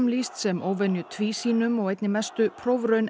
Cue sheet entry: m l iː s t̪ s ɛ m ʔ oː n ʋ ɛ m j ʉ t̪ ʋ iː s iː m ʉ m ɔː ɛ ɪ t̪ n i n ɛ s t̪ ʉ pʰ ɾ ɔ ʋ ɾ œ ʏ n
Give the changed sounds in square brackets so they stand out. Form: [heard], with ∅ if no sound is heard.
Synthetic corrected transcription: m l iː s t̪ s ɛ m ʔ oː [∅] ʋ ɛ [n] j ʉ [t̪ʰ] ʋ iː s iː [n] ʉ m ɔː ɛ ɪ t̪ n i [m] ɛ s t̪ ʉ pʰ ɾ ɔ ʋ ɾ œ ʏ n